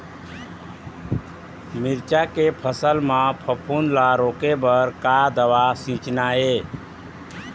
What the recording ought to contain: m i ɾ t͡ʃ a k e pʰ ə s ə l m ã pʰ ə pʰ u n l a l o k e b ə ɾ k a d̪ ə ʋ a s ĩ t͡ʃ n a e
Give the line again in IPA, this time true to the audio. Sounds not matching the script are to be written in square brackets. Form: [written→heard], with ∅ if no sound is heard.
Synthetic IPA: m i ɾ t͡ʃ a k e pʰ ə s ə l m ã pʰ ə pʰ u n l a [l→ɾ] o k e b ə ɾ k a d̪ ə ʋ a s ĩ t͡ʃ n a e